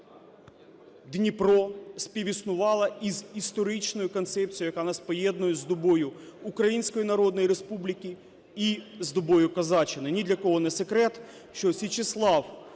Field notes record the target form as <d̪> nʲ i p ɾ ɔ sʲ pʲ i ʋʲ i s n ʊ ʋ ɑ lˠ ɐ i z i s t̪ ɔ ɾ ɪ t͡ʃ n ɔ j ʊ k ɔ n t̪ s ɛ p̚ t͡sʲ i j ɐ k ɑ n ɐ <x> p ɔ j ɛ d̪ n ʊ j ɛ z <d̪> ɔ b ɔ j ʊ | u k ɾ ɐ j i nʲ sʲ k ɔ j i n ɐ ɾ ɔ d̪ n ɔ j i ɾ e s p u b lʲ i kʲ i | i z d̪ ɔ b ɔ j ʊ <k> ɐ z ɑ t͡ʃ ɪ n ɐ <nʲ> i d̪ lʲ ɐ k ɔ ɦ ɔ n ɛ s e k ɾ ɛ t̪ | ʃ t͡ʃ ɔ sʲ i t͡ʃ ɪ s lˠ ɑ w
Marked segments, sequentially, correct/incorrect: correct, incorrect, correct, correct, correct

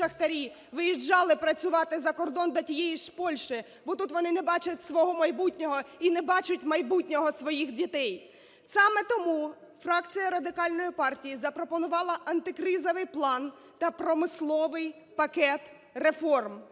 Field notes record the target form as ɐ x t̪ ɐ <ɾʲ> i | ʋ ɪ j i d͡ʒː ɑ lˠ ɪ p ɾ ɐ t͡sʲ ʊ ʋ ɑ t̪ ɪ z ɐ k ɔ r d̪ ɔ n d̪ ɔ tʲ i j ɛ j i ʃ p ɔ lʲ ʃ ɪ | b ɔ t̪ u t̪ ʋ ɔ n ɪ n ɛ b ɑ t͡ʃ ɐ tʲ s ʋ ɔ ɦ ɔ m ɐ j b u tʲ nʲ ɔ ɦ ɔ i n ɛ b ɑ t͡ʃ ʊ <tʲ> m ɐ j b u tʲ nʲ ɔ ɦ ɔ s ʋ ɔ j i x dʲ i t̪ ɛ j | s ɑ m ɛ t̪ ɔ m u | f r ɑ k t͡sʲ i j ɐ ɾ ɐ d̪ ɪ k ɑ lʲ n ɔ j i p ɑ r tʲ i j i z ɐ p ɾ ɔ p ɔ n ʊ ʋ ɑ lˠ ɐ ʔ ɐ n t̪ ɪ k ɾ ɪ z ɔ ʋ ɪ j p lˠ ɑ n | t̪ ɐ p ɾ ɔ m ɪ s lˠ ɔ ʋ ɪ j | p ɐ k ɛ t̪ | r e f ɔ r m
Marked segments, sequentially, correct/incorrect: correct, correct

